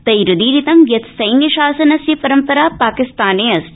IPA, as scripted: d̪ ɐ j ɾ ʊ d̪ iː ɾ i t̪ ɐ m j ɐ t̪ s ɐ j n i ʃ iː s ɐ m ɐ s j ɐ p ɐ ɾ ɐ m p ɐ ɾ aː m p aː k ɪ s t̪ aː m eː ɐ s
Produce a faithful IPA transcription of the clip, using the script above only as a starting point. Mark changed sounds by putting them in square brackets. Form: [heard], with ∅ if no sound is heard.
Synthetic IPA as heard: [t̪] ɐ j ɾ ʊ d̪ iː ɾ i t̪ ɐ m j ɐ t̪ s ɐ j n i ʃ [aː] s ɐ [n] ɐ s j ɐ p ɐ ɾ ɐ m p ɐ ɾ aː [∅] p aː k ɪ s t̪ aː [n] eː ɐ s